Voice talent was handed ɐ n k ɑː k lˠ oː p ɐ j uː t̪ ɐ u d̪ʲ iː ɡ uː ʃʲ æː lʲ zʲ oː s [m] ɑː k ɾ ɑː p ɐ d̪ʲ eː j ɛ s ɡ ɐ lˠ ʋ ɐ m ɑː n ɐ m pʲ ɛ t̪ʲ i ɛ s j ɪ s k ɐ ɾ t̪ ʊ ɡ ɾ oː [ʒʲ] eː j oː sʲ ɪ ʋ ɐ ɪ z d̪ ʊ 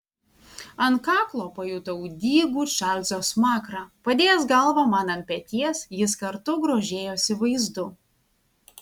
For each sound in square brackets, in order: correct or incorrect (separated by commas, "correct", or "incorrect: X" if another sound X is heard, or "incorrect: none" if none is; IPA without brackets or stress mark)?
correct, correct